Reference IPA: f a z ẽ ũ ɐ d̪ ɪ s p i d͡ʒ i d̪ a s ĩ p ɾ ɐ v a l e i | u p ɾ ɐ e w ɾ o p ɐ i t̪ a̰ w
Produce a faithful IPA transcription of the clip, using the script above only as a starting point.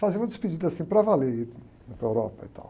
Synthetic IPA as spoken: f a z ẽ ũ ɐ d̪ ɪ s p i d͡ʒ i d̪ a s ĩ p ɾ ɐ v a l e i | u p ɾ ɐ e w ɾ ɔ p ɐ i t̪ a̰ w